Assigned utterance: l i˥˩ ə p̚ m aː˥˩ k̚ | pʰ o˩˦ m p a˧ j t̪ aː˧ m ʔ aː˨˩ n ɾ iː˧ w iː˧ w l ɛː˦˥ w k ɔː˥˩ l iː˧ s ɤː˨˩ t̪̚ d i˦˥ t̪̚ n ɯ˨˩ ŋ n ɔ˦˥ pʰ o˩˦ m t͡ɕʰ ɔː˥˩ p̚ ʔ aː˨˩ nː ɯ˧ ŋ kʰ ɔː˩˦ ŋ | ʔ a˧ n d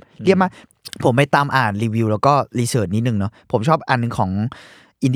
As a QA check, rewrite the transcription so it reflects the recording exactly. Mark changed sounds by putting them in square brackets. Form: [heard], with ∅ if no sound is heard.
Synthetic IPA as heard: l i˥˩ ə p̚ m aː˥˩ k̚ | pʰ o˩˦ m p a˧ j t̪ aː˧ m ʔ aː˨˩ n ɾ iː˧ w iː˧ w l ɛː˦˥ w k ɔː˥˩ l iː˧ s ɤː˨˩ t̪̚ [n] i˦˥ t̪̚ n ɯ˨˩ ŋ n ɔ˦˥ pʰ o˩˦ m t͡ɕʰ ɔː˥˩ p̚ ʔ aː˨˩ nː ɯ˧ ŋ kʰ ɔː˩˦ ŋ | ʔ [i˧] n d